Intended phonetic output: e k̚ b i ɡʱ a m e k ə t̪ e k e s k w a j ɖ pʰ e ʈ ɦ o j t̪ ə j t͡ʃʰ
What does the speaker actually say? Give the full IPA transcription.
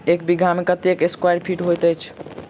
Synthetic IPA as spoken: e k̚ b i ɡʱ a m e k ə t̪ e k e s k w a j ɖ pʰ i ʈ ɦ o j t̪ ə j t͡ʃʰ